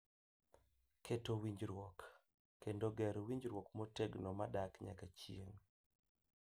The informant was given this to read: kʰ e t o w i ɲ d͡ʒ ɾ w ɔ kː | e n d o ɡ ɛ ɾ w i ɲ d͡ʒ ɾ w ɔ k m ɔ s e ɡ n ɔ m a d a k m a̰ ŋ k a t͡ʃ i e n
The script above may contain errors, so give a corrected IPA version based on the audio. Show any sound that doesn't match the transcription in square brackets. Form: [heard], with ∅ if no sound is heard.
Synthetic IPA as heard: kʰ e t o w i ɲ d͡ʒ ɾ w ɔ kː | e n d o ɡ ɛ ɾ w i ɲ d͡ʒ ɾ w ɔ k m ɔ [t] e ɡ n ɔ m a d a k [ɲ] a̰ [∅] k a t͡ʃ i e [ŋ]